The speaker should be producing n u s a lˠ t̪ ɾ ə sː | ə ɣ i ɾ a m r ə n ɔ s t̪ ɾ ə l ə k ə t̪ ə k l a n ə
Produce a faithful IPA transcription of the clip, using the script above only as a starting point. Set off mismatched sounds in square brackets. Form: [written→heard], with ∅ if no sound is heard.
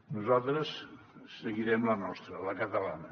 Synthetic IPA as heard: n u [s→z] a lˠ t̪ ɾ ə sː | ə ɣ i ɾ [a→ɛ] m [r→l] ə n ɔ s t̪ ɾ ə l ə k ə t̪ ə [k→∅] l a n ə